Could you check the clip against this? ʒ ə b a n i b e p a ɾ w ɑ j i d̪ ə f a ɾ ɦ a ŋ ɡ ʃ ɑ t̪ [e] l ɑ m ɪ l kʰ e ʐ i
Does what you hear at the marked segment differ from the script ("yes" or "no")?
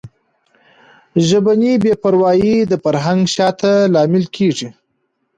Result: yes